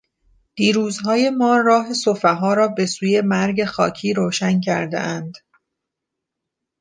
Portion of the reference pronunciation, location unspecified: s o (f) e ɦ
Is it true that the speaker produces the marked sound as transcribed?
yes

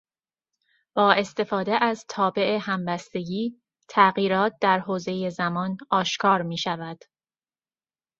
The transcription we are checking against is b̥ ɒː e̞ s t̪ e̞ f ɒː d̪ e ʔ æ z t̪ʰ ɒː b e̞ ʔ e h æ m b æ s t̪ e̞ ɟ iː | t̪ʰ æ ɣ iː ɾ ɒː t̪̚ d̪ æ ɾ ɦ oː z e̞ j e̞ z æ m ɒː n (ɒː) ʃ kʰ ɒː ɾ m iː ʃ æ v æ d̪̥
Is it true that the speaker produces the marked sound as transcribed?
yes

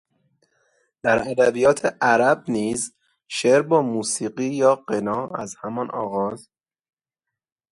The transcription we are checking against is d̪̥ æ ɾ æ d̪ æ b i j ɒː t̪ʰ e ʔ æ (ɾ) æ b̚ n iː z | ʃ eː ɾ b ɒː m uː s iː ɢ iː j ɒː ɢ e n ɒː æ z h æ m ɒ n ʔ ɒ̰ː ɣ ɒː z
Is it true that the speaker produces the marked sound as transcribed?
yes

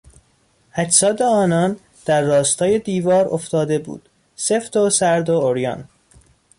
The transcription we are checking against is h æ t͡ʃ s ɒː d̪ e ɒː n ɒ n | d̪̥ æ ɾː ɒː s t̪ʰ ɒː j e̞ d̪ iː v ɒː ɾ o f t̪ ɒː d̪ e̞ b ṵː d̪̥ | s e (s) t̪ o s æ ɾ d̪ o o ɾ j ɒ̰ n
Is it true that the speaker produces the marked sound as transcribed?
no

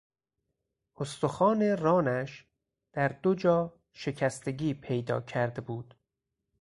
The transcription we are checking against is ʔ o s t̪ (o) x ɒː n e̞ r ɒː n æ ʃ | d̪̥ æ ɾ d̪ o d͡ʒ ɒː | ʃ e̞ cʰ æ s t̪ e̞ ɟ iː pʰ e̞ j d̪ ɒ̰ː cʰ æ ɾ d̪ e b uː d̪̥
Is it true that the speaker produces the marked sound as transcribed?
yes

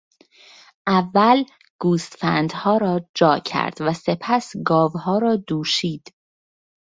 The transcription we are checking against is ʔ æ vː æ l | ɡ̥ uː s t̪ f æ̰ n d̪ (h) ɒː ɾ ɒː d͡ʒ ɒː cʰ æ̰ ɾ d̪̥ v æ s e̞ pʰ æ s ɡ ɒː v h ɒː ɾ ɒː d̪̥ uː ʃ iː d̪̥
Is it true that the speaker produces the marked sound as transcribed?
yes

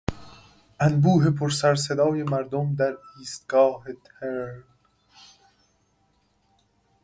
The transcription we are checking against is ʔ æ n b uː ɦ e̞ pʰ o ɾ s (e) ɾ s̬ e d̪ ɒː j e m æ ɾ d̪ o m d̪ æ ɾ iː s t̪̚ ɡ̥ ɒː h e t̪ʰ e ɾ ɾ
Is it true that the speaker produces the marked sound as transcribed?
no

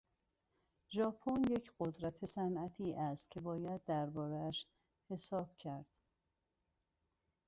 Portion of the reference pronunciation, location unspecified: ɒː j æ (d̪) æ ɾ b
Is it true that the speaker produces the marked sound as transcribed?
no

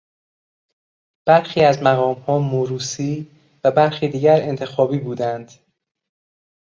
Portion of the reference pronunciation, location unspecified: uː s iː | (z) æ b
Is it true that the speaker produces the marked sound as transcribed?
no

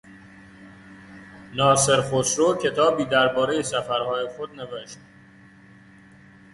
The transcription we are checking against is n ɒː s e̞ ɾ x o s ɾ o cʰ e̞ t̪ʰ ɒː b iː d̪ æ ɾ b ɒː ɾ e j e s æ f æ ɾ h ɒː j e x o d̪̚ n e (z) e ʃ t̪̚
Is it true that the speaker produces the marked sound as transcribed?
no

